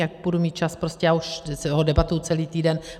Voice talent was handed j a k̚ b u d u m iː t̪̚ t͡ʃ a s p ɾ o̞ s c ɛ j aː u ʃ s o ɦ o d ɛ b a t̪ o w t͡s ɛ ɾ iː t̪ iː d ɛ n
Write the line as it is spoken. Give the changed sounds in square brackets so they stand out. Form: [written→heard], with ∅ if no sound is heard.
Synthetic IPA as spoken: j a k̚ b u d u m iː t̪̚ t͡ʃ a s p ɾ o̞ s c ɛ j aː u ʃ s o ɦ o d ɛ b a t̪ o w t͡s ɛ [ɾ→l] iː t̪ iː d ɛ n